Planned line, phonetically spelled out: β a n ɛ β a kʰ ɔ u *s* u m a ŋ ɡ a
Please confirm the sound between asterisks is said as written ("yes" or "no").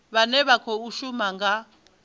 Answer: no